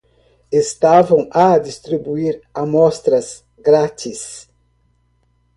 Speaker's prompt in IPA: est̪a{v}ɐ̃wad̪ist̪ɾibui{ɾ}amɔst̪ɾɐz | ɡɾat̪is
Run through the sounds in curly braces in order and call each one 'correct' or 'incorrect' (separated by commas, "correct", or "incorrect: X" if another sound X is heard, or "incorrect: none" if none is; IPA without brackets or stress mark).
correct, correct